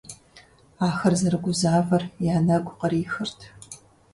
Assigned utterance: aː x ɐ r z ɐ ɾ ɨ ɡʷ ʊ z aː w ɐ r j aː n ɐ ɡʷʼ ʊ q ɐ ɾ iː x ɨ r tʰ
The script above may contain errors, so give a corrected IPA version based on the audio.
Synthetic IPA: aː x ɐ r z ɐ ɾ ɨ ɡʷ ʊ z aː v ɐ r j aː n ɐ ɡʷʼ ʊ q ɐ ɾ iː x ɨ r tʰ

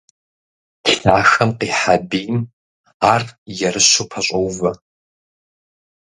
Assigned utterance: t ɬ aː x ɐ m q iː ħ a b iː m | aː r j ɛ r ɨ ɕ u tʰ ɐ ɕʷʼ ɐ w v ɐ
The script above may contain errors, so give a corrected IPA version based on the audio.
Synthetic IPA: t ɬ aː x ɐ m q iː ħ a b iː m | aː r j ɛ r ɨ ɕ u pʰ ɐ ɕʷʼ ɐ w v ɐ

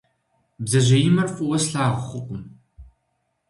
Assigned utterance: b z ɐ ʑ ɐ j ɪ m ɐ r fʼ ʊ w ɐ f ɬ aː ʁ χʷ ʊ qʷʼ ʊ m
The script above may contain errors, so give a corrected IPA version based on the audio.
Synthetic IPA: b z ɐ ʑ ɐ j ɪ m ɐ r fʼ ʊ w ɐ s ɬ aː ʁ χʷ ʊ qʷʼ ʊ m

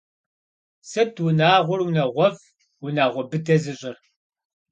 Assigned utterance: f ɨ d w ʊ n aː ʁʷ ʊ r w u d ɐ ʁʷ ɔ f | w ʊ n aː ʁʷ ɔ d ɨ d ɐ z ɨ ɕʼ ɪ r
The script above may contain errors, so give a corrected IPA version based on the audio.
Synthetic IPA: s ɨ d w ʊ n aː ʁʷ ʊ r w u n ɐ ʁʷ ɔ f | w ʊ n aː ʁʷ ɔ b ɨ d ɐ z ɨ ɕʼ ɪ r

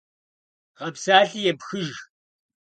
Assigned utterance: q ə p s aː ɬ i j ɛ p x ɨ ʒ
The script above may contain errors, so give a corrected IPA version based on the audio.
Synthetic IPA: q ɐ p s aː ɬ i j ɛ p x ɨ ʒ

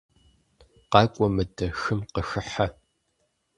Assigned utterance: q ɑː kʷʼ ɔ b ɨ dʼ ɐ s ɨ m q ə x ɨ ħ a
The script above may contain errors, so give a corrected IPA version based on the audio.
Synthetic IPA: q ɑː kʷʼ ɔ m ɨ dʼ ɐ x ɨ m q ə x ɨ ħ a

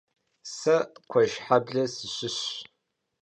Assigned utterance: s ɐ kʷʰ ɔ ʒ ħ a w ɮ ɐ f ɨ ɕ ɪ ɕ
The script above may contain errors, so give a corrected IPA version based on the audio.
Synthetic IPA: s ɐ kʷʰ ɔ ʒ ħ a b ɮ ɐ s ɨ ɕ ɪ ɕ

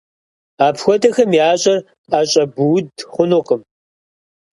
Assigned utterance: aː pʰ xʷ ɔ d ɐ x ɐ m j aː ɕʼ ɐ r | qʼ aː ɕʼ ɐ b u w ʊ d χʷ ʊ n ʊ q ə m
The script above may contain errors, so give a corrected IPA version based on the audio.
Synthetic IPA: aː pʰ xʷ ɔ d ɐ x ɐ m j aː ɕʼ ɐ r | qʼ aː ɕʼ ɐ b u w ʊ d χʷ ʊ n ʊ q ə m

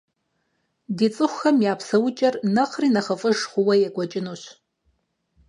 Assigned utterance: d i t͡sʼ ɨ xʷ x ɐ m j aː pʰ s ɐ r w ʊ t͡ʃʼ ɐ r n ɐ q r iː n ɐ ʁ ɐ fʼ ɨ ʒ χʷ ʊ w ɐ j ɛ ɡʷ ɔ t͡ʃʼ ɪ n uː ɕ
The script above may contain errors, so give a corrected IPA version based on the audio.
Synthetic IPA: d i t͡sʼ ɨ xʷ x ɐ m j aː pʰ s ɐ w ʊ t͡ʃʼ ɐ r n ɐ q r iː n ɐ χ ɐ fʼ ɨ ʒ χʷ ʊ w ɐ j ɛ ɡʷ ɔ t͡ʃʼ ɪ n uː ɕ

